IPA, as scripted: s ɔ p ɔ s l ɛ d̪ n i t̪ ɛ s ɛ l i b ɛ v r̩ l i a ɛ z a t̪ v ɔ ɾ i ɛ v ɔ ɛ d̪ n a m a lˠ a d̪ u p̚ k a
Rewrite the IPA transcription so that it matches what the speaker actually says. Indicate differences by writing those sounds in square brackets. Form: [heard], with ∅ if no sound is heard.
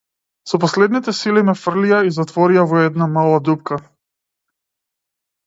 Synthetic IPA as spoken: s ɔ p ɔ s l ɛ d̪ n i t̪ ɛ s [i] l i [m] ɛ [f] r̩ l i a [i] z a t̪ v ɔ ɾ i [a] v ɔ ɛ d̪ n a m a lˠ a d̪ u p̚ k a